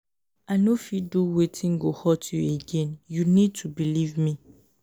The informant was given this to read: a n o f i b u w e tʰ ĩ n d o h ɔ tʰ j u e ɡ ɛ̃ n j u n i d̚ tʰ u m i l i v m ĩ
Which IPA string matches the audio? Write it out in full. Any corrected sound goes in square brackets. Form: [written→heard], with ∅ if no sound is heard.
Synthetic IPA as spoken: a n o f i [b→d] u w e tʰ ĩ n [d→ɡ] o h ɔ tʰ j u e ɡ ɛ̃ n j u n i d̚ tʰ u [m→b] i l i v m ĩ